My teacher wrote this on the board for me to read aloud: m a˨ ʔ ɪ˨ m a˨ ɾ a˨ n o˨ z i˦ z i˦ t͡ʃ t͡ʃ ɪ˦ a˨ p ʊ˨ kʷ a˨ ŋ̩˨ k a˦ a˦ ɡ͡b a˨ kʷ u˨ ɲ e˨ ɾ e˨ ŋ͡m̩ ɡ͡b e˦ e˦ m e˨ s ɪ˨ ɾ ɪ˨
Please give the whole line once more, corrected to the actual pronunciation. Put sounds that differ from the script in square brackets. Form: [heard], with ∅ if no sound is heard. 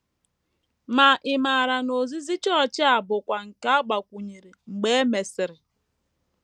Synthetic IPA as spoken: m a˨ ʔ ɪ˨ m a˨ ɾ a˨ n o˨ z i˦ z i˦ t͡ʃ t͡ʃ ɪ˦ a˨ [b] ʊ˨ kʷ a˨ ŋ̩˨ k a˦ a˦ ɡ͡b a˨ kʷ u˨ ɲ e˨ ɾ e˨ ŋ͡m̩ ɡ͡b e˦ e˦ m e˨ s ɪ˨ ɾ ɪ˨